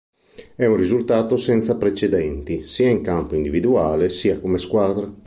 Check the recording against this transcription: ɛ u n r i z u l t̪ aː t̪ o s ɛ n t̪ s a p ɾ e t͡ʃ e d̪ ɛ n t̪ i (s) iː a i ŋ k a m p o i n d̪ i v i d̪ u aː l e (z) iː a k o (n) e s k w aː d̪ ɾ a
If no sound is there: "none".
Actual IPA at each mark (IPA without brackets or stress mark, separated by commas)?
s, s, m